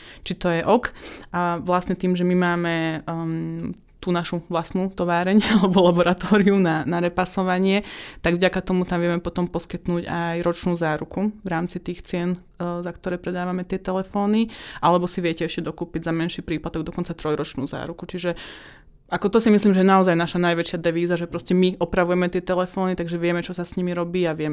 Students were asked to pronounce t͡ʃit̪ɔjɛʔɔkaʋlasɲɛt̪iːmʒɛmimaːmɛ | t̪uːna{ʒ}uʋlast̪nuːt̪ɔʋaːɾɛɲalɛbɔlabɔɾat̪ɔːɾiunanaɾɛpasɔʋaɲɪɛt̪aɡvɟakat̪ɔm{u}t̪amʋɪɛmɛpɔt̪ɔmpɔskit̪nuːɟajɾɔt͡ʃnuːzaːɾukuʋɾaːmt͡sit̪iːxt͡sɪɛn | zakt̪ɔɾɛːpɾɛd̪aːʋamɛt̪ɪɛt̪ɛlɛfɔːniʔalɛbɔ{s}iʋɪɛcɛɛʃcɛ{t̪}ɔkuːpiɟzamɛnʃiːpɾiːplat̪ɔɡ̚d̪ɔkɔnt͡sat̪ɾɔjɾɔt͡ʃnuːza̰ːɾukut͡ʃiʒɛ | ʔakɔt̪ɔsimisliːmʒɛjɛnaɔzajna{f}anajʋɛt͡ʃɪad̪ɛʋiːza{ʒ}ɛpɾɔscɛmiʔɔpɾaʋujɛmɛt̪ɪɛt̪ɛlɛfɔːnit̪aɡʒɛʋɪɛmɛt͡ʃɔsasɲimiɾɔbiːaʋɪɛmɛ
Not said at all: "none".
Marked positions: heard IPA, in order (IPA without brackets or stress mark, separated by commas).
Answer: ʃ, u, s, d̪, ʃ, ʒ